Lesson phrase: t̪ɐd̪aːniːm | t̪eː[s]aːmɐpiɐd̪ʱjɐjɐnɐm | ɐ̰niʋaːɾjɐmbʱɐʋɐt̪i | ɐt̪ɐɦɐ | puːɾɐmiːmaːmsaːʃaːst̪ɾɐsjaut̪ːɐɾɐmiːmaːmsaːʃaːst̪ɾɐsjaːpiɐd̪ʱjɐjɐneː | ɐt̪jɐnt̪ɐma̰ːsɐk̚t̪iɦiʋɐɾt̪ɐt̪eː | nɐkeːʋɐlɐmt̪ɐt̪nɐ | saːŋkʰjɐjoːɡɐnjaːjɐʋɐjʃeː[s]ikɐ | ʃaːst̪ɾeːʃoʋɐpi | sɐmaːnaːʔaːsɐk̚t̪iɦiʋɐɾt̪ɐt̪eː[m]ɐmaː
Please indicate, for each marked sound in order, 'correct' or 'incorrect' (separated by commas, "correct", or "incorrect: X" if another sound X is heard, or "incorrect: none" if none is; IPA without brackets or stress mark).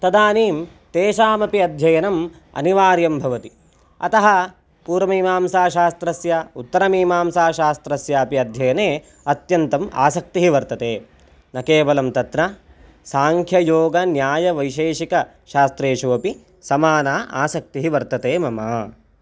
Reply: incorrect: ʃ, incorrect: ʃ, correct